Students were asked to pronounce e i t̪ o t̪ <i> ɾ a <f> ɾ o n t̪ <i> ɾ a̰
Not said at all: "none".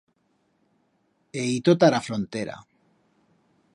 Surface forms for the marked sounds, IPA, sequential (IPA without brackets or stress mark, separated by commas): a, f, e